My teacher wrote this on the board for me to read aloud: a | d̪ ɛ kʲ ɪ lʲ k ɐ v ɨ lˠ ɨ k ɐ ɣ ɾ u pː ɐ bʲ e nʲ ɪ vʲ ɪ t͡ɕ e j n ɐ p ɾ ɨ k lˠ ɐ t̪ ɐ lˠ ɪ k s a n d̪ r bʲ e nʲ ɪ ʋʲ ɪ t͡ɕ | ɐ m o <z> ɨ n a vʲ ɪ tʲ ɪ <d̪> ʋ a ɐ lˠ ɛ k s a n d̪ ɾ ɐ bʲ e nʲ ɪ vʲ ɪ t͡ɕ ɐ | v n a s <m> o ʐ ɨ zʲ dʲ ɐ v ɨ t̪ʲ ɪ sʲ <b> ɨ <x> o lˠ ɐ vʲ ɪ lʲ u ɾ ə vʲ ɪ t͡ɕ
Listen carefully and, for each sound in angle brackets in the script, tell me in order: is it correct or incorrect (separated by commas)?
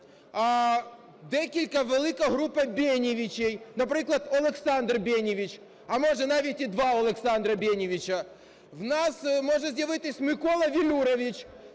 incorrect, correct, correct, incorrect, incorrect